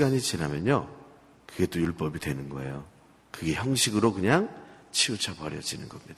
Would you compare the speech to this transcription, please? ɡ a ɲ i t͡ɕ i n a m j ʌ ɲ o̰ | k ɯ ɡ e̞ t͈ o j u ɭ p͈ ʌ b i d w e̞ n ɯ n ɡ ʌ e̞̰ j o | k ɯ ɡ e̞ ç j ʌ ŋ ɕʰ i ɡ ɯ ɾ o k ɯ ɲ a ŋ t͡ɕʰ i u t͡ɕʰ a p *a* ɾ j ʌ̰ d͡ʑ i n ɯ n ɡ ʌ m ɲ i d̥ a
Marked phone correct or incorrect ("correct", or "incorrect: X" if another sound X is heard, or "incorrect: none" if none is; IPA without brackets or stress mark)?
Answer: incorrect: ʌ